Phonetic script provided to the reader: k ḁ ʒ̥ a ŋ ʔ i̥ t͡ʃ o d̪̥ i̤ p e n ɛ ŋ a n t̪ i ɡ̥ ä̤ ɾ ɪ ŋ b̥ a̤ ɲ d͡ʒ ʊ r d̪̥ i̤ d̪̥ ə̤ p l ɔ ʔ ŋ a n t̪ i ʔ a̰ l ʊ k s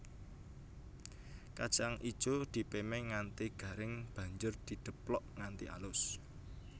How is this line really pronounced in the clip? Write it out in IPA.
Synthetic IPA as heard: k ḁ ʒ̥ a ŋ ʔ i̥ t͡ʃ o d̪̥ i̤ p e m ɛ ŋ a n t̪ i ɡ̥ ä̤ ɾ ɪ ŋ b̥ a̤ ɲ d͡ʒ ʊ r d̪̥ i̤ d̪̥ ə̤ p l ɔ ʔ ŋ a n t̪ i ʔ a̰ l ʊ s